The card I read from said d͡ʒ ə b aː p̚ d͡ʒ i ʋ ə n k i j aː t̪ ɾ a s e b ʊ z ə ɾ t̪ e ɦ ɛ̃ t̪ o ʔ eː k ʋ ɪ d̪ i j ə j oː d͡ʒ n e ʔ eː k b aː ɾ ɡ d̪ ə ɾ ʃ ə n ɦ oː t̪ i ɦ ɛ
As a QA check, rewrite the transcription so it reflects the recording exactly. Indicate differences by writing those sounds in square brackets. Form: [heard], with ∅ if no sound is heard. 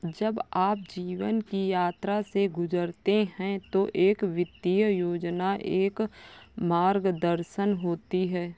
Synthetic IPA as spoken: d͡ʒ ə b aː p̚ d͡ʒ [iː] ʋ ə n k i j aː t̪ ɾ a s e [ɡ] ʊ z ə ɾ t̪ e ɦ ɛ̃ t̪ o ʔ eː k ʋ ɪ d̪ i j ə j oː d͡ʒ n [a] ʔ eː k [m] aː ɾ ɡ d̪ ə ɾ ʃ ə n ɦ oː t̪ i ɦ [ɛː]